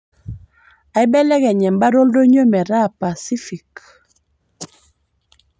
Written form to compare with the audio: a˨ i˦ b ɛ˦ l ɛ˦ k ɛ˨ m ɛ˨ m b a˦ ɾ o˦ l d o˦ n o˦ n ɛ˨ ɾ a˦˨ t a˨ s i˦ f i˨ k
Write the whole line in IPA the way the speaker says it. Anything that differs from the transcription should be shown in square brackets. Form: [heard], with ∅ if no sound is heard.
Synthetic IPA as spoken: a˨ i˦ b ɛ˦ l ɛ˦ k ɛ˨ [ɲ] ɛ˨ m b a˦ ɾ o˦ l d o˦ [ɲ] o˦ [m] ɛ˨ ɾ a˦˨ [p] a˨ s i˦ f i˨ k